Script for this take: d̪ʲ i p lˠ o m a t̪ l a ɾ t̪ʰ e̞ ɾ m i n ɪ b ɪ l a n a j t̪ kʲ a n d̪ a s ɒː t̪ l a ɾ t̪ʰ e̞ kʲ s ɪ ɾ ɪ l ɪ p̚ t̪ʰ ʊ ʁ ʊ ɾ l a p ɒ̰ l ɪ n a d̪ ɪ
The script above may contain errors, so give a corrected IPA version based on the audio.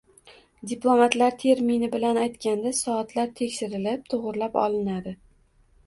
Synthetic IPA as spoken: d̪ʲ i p lˠ o m a t̪ l a ɾ t̪ʰ e̞ ɾ m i n ɪ b ɪ l a n a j t̪ kʲ a n d̪ a s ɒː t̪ l a ɾ t̪ʰ e̞ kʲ ʃ ɪ ɾ ɪ l ɪ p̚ t̪ʰ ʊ ʁ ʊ ɾ l a p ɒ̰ l ɪ n a d̪ ɪ